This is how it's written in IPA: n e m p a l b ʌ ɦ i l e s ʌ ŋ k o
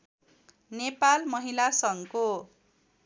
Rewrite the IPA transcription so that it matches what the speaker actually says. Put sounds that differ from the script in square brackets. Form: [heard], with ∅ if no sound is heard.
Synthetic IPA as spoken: n e [∅] p a l [m] ʌ ɦ i l [a] s ʌ ŋ k o